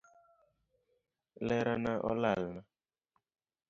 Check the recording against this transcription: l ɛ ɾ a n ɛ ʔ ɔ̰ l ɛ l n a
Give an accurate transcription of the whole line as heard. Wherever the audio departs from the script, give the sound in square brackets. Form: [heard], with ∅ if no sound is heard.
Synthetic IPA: l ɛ ɾ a n [a] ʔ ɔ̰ l [a] l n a